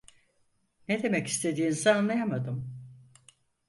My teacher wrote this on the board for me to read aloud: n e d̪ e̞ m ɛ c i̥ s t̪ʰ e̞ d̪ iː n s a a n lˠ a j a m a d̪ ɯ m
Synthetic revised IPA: n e d̪ e̞ m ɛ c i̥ s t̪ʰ e̞ d̪ iː n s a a n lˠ a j a m a d̪ ɯ m